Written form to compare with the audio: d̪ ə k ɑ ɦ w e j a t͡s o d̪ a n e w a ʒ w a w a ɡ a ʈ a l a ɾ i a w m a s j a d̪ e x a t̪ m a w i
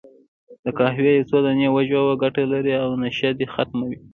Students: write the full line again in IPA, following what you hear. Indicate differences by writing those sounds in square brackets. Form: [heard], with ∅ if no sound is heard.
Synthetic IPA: d̪ ə k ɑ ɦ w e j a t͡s o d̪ a n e w a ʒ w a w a ɡ a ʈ a l a ɾ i a w [n] a [ʃ] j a d̪ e x a t̪ m a w i